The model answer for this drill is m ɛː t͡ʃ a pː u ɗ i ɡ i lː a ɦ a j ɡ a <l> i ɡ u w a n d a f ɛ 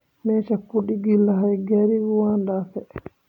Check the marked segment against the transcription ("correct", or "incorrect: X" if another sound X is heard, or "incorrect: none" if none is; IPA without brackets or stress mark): incorrect: ɾ